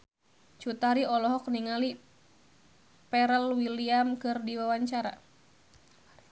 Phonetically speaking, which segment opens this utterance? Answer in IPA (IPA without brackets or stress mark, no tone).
t͡ʃ